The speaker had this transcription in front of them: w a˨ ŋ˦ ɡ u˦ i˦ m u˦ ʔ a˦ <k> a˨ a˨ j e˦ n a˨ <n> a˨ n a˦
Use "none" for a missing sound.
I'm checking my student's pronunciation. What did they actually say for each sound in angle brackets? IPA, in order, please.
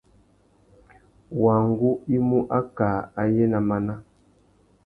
k, m

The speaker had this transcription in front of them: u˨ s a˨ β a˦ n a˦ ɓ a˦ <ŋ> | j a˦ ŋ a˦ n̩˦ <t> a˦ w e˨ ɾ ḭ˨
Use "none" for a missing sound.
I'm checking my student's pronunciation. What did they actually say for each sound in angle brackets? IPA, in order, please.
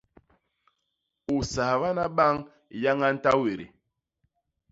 ŋ, t

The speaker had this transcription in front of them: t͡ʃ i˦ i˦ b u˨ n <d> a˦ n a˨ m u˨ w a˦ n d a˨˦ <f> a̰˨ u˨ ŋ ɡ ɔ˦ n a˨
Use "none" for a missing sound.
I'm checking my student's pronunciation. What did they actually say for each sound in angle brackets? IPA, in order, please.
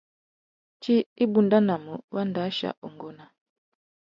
d, ʃ

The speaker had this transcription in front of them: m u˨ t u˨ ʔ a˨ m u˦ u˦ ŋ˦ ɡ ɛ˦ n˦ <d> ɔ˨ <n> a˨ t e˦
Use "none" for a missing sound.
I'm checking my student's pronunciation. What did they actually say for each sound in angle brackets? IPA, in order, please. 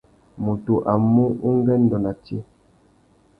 d, n

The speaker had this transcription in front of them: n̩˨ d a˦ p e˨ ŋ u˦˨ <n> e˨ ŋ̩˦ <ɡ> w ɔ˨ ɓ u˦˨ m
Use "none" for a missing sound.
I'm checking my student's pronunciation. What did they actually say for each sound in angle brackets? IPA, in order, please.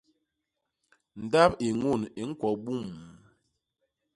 n, k

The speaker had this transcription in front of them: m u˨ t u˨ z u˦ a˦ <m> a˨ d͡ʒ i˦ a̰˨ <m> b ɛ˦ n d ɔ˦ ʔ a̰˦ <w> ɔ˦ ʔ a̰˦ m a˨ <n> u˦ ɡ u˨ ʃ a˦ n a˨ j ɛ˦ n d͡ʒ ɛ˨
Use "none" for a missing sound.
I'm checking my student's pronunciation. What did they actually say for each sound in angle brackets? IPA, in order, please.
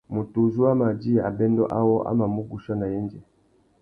m, none, w, m

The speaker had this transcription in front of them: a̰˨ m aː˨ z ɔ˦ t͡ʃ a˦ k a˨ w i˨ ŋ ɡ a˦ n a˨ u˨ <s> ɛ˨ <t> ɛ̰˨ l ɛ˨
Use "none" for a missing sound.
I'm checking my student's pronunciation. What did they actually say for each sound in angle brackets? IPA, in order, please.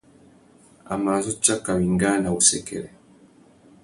s, k

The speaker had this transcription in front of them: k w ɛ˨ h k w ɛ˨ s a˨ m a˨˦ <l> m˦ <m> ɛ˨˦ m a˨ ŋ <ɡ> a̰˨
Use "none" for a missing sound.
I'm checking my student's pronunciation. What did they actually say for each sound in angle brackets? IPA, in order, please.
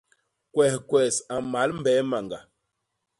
l, b, ɡ

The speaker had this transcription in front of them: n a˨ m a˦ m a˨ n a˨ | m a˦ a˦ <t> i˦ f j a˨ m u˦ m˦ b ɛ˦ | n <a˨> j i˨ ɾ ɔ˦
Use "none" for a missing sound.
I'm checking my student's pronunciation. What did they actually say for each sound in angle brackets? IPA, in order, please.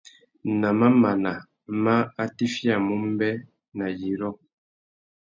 t, a˨

